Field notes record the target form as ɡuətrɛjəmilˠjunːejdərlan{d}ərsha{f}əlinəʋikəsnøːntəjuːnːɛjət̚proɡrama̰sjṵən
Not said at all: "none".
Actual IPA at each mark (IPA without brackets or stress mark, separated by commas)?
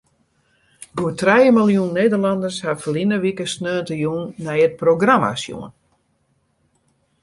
d, f